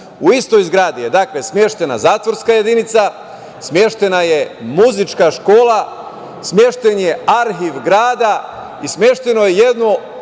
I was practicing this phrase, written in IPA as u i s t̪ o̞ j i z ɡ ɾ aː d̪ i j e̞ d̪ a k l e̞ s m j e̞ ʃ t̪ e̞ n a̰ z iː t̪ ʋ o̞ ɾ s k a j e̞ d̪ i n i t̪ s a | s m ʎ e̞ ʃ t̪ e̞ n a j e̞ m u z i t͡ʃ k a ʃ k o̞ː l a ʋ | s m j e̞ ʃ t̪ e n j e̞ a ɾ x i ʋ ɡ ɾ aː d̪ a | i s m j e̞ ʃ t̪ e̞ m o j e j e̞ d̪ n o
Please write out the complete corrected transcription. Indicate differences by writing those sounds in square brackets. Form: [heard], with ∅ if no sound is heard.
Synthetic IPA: u i s t̪ o̞ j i z ɡ ɾ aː d̪ i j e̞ d̪ a k l e̞ s m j e̞ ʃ t̪ e̞ n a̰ z [aː] t̪ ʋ o̞ ɾ s k a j e̞ d̪ i n i t̪ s a | s m [j] e̞ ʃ t̪ e̞ n a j e̞ m u z i t͡ʃ k a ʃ k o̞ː l a [∅] | s m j e̞ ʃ t̪ e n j e̞ a ɾ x i ʋ ɡ ɾ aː d̪ a | i s m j e̞ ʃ t̪ e̞ [n] o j e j e̞ d̪ n o

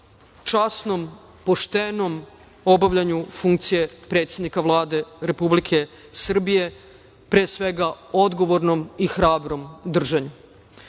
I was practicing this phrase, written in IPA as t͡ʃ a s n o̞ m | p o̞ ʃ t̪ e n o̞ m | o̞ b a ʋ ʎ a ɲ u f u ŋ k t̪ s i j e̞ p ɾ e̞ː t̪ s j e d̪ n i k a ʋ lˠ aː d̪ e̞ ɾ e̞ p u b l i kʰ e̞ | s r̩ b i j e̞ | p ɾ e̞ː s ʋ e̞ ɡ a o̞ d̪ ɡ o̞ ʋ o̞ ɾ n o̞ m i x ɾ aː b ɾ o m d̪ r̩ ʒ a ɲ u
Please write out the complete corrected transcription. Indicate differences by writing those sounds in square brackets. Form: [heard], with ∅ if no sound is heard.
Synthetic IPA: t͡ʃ a s n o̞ m | p o̞ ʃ t̪ e n o̞ m | o̞ b a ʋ ʎ a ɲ u f u ŋ k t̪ s i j e̞ p ɾ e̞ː t̪ s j e d̪ n i k a ʋ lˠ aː d̪ e̞ ɾ e̞ p u b l i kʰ e̞ | s r̩ b i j e̞ | p ɾ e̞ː s ʋ e̞ ɡ a o̞ d̪ ɡ o̞ ʋ o̞ ɾ n o̞ m i x ɾ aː b ɾ o m d̪ r̩ ʒ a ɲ u

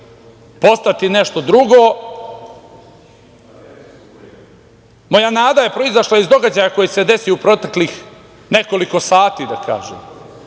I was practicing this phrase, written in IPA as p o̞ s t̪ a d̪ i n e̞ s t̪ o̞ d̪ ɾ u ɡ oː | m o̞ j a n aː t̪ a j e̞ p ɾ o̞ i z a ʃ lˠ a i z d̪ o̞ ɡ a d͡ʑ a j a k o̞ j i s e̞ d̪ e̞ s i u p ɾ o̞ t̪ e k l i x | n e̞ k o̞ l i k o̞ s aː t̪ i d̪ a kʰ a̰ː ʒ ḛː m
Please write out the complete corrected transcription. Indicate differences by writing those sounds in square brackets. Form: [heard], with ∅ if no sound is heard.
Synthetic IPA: p o̞ s t̪ a [t̪] i n e̞ [ʃ] t̪ o̞ d̪ ɾ u ɡ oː | m o̞ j a n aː [d̪] a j e̞ p ɾ o̞ i z a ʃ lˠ a i z d̪ o̞ ɡ a d͡ʑ a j a k o̞ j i s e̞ d̪ e̞ s i u p ɾ o̞ t̪ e k l i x | n e̞ k o̞ l i k o̞ s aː t̪ i d̪ a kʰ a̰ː ʒ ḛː m

